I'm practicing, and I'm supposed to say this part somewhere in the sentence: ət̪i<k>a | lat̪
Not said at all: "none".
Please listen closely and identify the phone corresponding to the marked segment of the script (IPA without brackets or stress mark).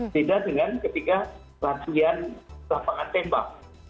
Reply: k